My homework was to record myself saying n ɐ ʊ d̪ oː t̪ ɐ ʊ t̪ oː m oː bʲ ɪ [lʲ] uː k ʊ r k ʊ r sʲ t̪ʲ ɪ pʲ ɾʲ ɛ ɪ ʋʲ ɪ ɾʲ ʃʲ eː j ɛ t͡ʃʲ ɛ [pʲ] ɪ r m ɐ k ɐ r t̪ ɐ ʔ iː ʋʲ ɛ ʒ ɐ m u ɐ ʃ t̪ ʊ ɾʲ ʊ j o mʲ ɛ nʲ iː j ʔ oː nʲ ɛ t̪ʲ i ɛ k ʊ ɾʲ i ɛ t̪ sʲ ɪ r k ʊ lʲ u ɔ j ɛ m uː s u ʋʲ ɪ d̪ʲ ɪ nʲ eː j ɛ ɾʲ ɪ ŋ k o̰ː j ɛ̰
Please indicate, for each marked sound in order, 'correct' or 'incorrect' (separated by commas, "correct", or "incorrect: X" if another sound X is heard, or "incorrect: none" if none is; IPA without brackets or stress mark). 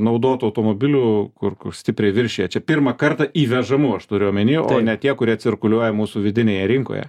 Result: correct, correct